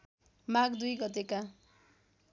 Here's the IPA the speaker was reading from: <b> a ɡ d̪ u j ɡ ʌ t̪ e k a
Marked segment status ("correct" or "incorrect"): incorrect